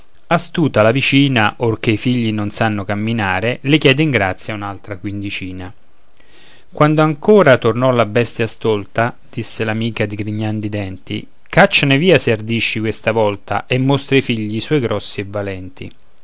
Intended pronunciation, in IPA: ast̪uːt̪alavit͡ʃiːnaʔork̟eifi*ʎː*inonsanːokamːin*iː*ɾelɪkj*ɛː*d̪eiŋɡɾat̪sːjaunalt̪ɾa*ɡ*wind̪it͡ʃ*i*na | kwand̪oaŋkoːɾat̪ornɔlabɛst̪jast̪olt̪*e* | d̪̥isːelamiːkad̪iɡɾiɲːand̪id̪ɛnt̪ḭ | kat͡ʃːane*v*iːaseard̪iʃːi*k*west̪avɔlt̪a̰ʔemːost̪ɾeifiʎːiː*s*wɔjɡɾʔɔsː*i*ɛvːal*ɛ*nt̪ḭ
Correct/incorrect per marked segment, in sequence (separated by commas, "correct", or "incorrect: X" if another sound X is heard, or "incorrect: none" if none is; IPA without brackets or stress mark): correct, incorrect: aː, correct, incorrect: k, incorrect: iː, incorrect: a, correct, correct, correct, correct, correct